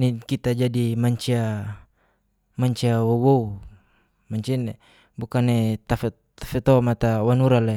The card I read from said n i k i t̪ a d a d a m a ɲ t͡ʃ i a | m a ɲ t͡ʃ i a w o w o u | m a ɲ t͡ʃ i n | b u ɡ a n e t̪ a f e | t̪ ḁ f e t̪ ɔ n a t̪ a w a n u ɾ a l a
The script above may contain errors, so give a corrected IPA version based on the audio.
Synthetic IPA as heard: n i k i t̪ a d͡ʒ a d i m a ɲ t͡ʃ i a | m a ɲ t͡ʃ i a w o w o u | m a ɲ t͡ʃ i n | b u k a n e t̪ a f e | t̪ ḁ f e t̪ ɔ m a t̪ a w a n u ɾ a l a

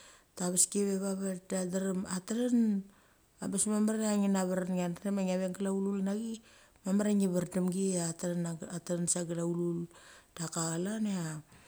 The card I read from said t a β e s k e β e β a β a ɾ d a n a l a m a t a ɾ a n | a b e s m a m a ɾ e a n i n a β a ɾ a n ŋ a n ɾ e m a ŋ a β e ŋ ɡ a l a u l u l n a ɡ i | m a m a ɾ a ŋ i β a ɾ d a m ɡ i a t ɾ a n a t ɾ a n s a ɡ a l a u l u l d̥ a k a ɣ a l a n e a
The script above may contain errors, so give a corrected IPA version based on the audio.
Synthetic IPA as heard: t a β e s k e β e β a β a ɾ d a d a ɾ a m a t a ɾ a n | a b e s m a m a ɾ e a ŋ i n a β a ɾ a n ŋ a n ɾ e m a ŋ a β e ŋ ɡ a l a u l u l n a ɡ i | m a m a ɾ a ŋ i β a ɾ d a m ɡ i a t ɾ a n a t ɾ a n s a ɡ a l a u l u l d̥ a k a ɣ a l a n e a

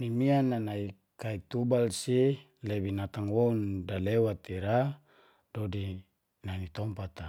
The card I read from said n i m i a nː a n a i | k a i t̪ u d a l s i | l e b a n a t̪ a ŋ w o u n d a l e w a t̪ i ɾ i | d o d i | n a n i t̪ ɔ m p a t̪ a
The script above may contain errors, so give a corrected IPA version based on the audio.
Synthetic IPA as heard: n i m i a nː a n a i | k a i t̪ u b a l s i | l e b i n a t̪ a ŋ w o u n d a l e w a t̪ i ɾ a | d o d i | n a n i t̪ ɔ m p a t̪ a

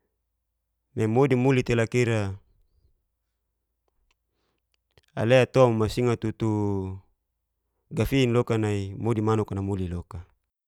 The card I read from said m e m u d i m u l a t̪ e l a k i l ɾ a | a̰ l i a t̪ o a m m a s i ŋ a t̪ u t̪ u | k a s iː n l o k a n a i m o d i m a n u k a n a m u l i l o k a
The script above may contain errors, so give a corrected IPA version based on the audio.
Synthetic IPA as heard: m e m o d i m u l i t̪ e l a k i ɾ a | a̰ l e a t̪ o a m m a s i ŋ a t̪ u t̪ u | ɡ a f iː n l o k a n a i m o d i m a n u k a n a m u l i l o k a

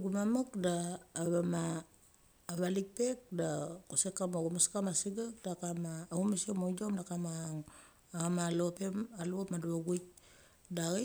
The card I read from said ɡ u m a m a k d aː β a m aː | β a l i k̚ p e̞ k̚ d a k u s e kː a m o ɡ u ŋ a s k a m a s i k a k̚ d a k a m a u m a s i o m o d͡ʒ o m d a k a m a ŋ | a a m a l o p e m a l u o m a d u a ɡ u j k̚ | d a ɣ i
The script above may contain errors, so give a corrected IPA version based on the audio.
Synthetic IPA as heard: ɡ u m a m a k d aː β a m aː | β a l i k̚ p e̞ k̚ d a k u s e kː a m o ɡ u m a s k a m a s i ɡ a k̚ d a k a m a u m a s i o m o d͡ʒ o m d a k a m a ŋ | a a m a l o p e m a l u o m a d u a ɡ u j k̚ | d a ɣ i

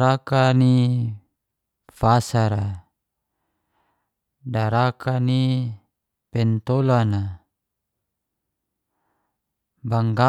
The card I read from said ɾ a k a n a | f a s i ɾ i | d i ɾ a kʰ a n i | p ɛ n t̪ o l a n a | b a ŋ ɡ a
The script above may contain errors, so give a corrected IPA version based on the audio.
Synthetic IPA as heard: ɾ a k a n i | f a s a ɾ a | d a ɾ a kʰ a n i | p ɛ n t̪ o l a n a | b a ŋ ɡ a

